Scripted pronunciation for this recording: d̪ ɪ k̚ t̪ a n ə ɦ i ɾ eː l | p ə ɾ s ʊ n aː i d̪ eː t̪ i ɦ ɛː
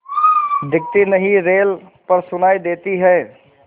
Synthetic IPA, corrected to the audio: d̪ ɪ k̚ t̪ i n ə ɦ i ɾ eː l | p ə ɾ s ʊ n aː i d̪ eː t̪ i ɦ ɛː